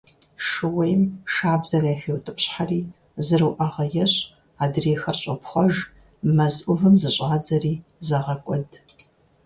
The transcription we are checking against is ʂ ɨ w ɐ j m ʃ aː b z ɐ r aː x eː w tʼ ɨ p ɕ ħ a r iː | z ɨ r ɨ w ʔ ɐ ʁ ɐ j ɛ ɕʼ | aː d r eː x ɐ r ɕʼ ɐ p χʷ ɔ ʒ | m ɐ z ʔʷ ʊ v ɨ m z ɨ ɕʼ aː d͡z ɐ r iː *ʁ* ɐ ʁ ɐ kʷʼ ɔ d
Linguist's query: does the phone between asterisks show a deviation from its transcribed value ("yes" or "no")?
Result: yes